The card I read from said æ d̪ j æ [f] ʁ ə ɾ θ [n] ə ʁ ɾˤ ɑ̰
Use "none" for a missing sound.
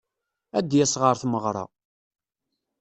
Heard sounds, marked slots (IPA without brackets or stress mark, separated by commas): s, m